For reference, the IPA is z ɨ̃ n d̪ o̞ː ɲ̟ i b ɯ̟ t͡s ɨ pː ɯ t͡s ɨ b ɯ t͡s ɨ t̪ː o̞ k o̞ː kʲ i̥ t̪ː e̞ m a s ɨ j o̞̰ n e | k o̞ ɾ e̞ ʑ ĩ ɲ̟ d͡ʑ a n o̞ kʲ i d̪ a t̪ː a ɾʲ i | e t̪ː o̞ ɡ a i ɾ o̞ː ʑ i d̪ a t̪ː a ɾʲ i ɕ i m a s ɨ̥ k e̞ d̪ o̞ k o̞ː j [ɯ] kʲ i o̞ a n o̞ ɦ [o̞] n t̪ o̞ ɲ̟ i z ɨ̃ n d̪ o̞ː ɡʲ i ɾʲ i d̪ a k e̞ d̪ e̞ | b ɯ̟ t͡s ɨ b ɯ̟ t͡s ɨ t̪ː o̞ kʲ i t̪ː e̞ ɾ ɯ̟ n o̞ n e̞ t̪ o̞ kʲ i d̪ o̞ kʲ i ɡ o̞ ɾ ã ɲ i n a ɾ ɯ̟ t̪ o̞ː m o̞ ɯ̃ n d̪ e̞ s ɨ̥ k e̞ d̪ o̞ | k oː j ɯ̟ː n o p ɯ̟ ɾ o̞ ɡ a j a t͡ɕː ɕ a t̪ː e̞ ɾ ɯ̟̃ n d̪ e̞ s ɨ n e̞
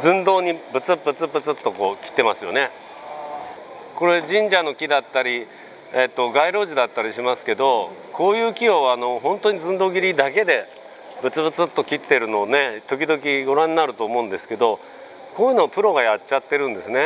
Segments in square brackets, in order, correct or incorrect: incorrect: ɯː, incorrect: õ̞

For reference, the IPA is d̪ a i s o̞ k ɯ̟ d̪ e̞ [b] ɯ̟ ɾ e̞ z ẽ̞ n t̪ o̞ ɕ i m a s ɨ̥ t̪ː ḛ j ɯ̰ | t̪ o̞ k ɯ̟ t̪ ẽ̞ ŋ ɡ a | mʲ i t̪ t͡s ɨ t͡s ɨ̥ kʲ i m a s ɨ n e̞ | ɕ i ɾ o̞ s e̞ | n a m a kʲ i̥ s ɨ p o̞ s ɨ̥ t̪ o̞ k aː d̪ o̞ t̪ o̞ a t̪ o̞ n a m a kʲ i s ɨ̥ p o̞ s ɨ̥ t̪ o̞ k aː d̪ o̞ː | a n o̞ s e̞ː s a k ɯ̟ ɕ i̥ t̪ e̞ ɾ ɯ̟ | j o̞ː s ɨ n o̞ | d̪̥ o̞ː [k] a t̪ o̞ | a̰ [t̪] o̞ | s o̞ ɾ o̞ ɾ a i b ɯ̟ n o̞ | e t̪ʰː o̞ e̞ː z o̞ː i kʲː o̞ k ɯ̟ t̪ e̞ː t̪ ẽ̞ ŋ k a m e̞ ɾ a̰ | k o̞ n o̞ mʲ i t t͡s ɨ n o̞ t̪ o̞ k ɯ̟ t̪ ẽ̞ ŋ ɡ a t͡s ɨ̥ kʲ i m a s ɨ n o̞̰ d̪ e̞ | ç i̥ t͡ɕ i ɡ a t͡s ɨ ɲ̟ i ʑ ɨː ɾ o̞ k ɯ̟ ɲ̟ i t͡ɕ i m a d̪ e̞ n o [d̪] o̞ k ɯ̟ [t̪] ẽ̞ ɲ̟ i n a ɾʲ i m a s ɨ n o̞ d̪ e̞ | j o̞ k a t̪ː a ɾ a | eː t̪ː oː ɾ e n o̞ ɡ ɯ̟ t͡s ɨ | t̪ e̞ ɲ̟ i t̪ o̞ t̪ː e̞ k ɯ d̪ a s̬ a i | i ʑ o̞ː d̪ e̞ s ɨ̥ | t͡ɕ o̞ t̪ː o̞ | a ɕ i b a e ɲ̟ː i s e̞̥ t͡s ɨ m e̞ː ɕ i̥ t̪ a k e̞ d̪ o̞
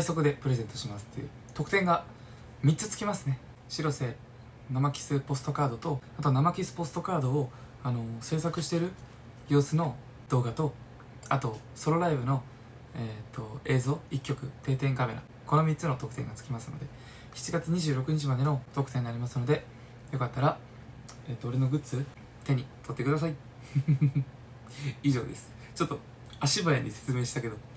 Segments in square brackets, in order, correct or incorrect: incorrect: p, incorrect: ɡ, correct, incorrect: t̪, correct

